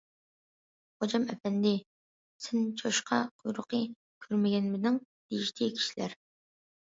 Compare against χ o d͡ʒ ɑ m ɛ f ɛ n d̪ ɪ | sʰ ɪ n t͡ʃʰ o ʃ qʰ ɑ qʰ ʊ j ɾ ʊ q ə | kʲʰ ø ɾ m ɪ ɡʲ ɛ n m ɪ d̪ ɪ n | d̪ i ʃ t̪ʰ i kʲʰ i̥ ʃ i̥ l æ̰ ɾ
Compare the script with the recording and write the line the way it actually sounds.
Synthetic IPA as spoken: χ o d͡ʒ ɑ m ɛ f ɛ n d̪ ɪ | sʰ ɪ n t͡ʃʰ o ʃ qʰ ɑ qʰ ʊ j ɾ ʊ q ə | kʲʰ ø ɾ m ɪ ɡʲ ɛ n m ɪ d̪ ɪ ŋ | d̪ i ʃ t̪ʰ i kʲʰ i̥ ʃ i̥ l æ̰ ɾ